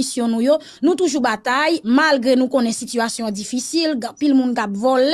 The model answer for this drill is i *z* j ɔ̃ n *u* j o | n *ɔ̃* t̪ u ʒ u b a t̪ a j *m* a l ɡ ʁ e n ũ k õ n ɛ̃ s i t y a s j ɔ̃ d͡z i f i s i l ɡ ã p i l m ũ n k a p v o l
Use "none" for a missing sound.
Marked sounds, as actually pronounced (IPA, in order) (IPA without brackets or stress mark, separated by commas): s, ũ, ũ, m